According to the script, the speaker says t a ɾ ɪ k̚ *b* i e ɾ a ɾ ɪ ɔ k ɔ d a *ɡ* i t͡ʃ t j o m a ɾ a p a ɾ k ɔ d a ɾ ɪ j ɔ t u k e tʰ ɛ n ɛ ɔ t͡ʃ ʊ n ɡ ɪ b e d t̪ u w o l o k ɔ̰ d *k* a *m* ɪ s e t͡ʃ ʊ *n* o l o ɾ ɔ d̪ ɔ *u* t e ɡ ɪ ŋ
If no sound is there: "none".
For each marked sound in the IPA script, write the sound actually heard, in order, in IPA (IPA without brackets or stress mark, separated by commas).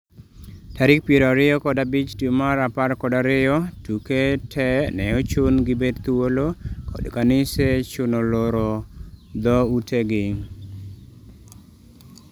p, b, k, n, n, u